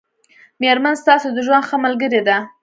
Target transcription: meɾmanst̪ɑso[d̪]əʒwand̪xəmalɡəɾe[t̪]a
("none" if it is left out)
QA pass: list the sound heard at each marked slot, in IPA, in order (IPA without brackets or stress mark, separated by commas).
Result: d̪, d̪